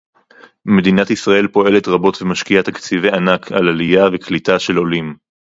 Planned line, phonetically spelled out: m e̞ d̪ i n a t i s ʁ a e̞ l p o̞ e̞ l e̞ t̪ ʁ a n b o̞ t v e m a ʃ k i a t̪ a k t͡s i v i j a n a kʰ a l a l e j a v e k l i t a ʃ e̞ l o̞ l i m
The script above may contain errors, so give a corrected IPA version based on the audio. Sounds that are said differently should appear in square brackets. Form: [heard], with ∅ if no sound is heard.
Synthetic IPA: m e̞ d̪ i n a t i s ʁ a e̞ l p o̞ e̞ l e̞ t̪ ʁ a [∅] b o̞ t v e m a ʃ k i a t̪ a k t͡s i v [e] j a n a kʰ a l a l [i] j a v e k l i t a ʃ e̞ l o̞ l i m

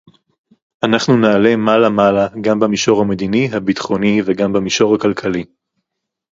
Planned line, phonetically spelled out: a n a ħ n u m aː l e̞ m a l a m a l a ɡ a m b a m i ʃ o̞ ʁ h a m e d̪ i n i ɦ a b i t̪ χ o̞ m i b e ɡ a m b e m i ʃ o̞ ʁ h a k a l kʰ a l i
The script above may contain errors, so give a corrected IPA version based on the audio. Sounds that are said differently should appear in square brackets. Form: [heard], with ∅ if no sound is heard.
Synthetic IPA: a n a [χ] n u [n] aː l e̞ m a l a m a l a ɡ a m b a m i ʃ o̞ ʁ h a m e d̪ i n i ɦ a b i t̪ χ o̞ [n] i [v] e ɡ a m b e m i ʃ o̞ ʁ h a k a l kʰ a l i

